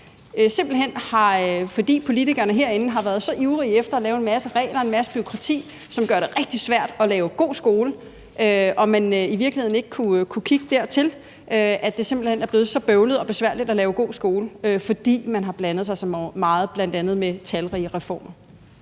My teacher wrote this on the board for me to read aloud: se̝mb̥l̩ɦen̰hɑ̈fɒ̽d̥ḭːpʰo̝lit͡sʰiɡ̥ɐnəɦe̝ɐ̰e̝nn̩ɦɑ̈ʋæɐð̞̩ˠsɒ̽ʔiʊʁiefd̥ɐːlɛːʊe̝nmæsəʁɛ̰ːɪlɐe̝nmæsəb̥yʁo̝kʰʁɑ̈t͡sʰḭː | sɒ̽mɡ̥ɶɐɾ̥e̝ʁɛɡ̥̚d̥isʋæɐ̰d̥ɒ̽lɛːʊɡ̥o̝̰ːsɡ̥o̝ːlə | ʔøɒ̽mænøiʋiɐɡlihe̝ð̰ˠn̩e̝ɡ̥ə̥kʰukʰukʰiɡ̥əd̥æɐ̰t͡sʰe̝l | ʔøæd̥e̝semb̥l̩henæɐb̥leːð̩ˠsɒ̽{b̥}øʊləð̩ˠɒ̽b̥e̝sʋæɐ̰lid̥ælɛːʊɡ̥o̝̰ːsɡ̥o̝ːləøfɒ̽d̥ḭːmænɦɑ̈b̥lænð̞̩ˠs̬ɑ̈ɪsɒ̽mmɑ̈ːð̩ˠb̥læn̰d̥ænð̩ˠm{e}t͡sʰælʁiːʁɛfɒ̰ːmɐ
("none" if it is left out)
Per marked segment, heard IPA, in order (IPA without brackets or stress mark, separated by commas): b̥, e